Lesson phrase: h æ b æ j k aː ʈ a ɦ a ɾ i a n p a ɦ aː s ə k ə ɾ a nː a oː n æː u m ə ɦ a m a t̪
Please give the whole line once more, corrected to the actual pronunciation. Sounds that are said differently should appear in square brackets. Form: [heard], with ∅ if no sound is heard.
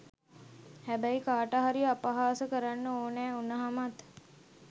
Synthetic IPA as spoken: h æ b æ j k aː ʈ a ɦ a ɾ i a [∅] p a ɦ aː s ə k ə ɾ a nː [ə] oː n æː u [n] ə ɦ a m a t̪